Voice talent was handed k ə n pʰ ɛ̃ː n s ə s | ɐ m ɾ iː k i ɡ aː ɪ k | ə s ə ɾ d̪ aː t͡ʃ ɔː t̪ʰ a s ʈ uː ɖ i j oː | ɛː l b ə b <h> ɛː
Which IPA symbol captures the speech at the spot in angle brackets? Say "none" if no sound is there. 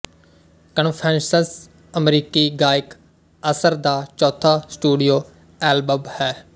h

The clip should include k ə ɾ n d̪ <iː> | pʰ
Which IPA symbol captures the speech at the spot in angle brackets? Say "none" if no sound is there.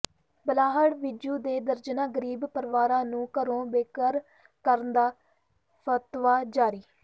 aː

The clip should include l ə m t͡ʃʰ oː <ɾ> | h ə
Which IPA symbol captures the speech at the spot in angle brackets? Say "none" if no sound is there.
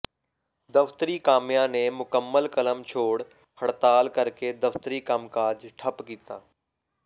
ɽ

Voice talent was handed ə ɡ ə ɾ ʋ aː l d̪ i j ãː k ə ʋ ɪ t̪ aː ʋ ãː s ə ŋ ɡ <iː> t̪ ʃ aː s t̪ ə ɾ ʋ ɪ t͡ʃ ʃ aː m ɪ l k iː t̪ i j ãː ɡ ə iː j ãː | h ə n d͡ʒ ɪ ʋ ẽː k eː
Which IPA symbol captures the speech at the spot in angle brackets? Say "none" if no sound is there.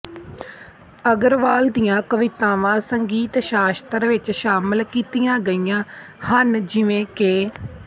iː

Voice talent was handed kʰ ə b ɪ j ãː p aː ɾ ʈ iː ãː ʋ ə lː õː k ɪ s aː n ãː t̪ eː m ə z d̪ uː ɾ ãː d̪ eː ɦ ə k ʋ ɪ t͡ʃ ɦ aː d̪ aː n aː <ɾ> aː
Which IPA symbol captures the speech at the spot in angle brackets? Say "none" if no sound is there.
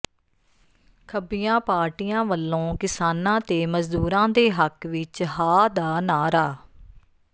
ɾ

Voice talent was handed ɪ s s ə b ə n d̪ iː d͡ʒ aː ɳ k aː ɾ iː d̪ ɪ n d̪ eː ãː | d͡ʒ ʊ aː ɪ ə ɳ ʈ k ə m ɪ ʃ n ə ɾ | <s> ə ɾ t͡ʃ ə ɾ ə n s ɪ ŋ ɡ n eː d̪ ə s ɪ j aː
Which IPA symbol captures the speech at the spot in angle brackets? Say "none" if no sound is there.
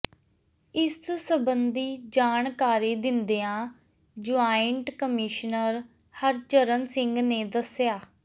h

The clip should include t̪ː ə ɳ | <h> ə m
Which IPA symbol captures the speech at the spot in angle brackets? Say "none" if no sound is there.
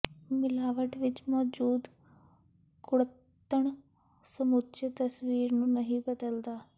s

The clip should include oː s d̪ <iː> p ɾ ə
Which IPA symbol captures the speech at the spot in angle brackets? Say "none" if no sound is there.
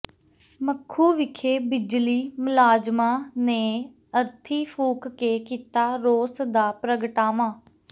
aː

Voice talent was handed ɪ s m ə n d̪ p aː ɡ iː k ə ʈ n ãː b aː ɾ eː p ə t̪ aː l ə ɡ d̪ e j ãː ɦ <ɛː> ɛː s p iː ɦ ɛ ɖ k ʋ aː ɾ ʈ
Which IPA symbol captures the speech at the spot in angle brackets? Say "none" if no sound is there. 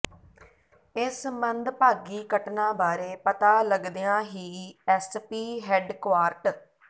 iː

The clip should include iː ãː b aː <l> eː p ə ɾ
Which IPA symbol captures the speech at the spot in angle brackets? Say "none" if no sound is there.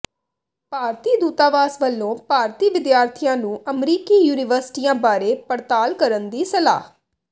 ɾ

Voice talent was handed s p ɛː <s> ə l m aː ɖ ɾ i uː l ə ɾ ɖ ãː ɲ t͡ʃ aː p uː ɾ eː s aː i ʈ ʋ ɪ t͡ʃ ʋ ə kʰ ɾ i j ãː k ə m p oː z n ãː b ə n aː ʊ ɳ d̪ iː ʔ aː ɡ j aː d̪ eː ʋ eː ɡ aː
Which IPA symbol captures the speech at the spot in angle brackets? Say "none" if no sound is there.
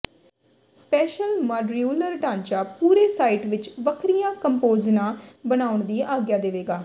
ʃ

